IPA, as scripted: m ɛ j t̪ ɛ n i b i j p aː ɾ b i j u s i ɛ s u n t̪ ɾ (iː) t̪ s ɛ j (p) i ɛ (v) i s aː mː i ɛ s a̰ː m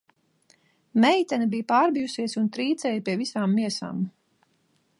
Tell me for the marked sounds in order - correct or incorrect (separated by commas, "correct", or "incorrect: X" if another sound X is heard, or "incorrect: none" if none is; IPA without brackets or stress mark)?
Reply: correct, correct, correct